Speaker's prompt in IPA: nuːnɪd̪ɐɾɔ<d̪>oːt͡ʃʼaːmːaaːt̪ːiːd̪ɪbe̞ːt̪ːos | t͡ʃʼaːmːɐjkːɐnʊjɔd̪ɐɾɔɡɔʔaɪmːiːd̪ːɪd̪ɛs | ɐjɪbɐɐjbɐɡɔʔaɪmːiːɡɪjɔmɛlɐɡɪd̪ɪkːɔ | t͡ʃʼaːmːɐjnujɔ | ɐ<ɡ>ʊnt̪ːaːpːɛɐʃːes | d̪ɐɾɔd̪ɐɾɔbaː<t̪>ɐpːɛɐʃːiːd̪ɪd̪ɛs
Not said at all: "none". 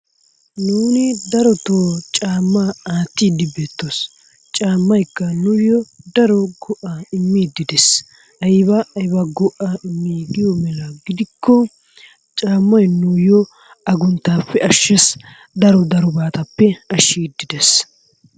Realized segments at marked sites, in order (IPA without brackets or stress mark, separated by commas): t̪, ɡ, t̪